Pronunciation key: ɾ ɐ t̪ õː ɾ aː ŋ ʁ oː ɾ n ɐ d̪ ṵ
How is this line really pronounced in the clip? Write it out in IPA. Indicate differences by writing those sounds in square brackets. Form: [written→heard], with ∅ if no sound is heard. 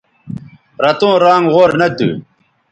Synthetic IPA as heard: ɾ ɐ t̪ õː ɾ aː ŋ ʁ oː ɾ n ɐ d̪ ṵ

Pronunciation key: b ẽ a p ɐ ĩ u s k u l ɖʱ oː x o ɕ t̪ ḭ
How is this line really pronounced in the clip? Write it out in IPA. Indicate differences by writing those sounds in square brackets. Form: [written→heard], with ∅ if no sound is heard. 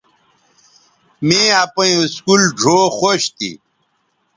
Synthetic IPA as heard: [b→m] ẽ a p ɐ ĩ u s k u l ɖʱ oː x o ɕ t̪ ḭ

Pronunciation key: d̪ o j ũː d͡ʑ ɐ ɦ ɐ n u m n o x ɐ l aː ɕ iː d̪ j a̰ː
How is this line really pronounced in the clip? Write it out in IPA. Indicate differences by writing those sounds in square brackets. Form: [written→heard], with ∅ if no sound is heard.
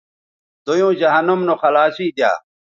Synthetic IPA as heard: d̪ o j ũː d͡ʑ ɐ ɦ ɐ n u m n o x ɐ l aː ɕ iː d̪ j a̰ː

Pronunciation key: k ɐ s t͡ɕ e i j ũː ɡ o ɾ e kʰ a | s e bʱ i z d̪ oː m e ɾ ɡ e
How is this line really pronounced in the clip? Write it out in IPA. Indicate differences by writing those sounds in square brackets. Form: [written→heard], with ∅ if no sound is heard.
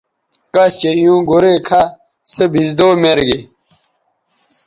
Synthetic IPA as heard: k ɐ s t͡ɕ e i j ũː ɡ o ɾ e kʰ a | s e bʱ i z d̪ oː m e ɾ ɡ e

